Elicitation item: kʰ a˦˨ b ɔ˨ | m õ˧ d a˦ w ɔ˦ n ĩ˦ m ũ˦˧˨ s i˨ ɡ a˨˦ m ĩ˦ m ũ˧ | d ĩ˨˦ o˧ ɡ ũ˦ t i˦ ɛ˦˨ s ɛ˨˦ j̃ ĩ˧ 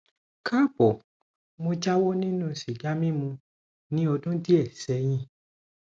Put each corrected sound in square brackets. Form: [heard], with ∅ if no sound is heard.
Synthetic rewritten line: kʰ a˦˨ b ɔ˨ | m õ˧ [d͡ʒ] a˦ w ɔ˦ n ĩ˦ [n] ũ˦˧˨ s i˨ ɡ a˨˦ m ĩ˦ m ũ˧ | [n] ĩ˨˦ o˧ [d] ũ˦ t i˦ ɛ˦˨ s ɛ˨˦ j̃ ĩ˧